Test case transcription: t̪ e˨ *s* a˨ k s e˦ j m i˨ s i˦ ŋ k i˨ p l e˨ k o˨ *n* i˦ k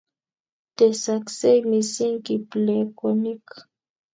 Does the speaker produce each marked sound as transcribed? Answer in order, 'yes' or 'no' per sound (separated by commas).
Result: yes, yes